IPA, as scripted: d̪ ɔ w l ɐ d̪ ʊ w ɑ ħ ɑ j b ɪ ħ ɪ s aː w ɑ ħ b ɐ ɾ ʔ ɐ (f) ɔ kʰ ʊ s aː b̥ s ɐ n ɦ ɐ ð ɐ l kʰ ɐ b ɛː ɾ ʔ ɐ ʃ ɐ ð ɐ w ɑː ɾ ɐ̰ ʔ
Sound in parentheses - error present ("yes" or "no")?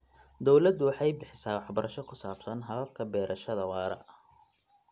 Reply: yes